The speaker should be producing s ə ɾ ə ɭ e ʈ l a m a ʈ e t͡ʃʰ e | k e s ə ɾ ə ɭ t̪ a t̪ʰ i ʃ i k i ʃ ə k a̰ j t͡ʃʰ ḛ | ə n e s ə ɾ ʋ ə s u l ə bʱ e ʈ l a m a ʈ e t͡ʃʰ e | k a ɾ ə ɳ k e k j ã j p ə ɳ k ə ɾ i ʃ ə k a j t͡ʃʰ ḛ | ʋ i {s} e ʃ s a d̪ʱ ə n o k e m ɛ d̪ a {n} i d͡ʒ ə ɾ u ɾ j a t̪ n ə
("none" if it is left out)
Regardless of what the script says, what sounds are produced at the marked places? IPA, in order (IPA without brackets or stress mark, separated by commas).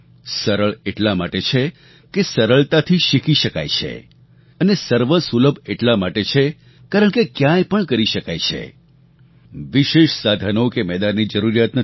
ʃ, nː